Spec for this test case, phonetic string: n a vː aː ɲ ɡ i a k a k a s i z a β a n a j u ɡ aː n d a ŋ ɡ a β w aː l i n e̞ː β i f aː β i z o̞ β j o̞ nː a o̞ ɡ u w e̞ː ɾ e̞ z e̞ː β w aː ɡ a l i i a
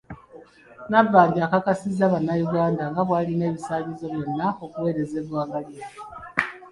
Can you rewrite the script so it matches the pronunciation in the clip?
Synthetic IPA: n a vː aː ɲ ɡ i a k a k a s i z a β a n a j u ɡ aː n d a ŋ ɡ a β w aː l i n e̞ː β i s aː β i z o̞ β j o̞ nː a o̞ k u w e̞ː ɾ e̞ z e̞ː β w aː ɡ a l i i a